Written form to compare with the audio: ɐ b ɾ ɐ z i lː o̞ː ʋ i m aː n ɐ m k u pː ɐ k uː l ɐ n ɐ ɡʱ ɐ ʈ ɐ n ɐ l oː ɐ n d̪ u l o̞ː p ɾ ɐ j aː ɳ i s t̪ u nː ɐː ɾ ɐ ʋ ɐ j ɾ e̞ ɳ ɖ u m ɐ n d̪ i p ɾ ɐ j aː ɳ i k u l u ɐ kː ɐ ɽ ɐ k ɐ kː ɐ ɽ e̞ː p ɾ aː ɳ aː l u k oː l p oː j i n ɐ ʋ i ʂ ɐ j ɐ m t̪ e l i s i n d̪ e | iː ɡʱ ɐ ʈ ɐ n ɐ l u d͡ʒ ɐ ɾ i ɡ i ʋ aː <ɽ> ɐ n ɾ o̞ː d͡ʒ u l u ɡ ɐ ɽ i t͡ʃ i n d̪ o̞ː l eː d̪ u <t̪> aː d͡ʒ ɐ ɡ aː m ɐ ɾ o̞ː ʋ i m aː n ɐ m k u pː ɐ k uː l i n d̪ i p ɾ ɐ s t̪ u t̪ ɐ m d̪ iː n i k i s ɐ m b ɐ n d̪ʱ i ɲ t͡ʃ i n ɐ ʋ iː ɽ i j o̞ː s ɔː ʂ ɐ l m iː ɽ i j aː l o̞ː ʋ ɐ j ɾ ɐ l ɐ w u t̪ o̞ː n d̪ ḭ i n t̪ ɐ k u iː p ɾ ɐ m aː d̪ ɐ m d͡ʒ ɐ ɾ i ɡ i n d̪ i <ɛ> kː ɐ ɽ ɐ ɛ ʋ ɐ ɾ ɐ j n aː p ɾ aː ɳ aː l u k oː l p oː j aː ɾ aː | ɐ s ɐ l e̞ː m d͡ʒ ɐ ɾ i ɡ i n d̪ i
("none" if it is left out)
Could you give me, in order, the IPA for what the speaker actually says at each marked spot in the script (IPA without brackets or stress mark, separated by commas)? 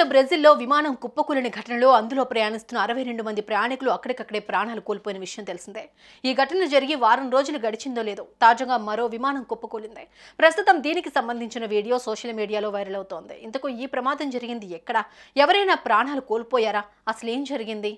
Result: ɾ, t̪, ɛ